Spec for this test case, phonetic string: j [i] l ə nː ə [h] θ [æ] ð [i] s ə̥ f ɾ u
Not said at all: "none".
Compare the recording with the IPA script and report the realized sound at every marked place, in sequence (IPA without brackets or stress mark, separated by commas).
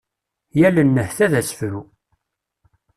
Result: æ, h, æ, æ